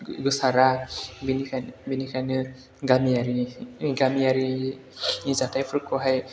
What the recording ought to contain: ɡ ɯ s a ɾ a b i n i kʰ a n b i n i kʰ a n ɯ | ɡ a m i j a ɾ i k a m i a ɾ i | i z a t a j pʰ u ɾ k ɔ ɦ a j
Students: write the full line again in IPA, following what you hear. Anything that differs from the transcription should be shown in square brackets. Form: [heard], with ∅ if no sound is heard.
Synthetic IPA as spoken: ɡ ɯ s a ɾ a b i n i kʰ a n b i n i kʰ a n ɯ | ɡ a m i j a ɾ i [ɡ] a m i a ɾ i | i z a t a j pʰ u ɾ k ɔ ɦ a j